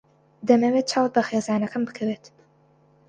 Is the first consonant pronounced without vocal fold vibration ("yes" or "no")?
no